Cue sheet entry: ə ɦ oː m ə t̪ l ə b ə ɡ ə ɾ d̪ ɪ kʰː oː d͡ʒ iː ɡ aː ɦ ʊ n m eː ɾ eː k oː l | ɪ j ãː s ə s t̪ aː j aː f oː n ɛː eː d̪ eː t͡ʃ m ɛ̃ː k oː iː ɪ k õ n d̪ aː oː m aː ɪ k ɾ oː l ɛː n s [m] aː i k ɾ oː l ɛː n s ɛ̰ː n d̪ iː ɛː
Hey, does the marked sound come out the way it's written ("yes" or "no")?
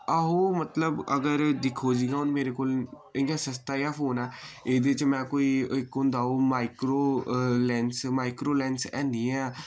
yes